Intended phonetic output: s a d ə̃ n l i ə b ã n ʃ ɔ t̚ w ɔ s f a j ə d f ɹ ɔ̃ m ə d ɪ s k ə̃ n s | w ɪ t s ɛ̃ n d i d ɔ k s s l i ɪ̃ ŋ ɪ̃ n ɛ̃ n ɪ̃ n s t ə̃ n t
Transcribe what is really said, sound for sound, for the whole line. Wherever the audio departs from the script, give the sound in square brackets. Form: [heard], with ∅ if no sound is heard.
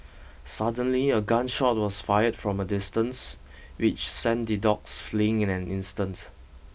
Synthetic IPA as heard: s a d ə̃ n l i ə [ɡ] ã n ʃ ɔ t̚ w ɔ s f a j ə d f ɹ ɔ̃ m ə d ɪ s [t] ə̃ n s | w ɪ [t͡ʃ] s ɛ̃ n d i d ɔ k s [f] l i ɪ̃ ŋ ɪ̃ n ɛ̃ n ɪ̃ n s t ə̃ n t